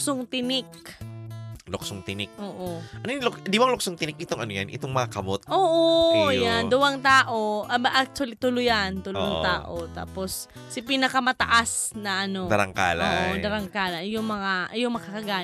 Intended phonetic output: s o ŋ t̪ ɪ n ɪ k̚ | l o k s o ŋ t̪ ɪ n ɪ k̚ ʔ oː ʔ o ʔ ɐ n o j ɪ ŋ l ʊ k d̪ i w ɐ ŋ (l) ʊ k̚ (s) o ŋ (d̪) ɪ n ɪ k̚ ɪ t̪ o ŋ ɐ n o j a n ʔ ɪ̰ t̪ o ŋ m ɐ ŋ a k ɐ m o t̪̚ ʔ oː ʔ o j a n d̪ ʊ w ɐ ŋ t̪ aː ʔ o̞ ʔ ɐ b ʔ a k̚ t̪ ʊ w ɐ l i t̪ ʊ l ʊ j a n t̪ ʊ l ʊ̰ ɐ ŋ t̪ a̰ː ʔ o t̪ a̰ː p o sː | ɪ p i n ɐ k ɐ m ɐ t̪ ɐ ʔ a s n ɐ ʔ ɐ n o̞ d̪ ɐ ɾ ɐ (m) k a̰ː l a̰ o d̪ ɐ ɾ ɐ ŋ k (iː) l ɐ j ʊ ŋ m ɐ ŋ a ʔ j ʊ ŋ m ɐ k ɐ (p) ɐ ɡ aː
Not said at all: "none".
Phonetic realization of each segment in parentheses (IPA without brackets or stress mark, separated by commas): l, s, t̪, ŋ, aː, k